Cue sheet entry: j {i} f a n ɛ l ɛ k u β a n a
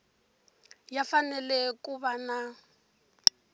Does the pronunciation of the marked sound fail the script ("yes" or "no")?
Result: yes